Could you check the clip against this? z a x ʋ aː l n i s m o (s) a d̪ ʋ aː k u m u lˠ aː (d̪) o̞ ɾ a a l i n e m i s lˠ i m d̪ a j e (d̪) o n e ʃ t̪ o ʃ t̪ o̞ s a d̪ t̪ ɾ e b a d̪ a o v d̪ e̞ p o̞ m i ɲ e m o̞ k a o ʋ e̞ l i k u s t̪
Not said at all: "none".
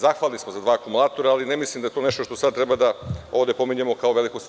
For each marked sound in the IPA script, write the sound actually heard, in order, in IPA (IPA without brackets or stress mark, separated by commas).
z, t̪, t̪